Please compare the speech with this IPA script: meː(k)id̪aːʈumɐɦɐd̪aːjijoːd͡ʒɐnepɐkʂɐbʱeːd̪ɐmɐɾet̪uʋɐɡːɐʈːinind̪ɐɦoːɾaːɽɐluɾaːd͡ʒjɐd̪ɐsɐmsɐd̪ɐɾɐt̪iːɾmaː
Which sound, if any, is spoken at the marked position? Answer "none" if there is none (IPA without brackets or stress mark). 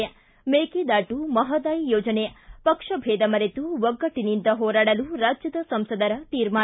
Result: k